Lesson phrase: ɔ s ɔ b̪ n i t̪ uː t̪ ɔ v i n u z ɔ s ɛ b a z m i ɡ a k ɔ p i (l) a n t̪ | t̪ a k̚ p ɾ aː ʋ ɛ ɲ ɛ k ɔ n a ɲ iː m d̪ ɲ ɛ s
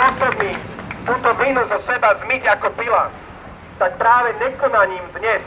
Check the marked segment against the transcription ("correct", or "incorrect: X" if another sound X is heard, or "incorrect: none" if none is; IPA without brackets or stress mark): correct